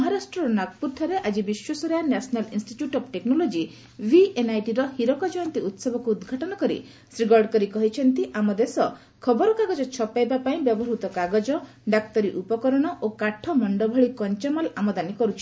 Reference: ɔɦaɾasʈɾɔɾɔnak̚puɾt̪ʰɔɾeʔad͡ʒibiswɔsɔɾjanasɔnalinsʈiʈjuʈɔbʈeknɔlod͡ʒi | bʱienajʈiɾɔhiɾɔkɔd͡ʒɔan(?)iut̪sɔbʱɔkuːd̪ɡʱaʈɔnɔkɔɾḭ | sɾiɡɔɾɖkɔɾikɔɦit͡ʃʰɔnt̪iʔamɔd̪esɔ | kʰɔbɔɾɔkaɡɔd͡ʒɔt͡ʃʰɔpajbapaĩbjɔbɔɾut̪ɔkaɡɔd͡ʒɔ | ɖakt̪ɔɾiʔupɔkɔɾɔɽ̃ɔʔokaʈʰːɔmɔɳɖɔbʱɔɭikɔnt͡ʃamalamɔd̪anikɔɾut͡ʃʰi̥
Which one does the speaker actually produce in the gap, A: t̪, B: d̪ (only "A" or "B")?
A